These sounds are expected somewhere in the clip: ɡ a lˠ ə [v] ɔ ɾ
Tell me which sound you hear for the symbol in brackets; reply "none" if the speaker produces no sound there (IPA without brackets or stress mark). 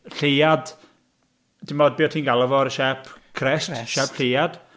v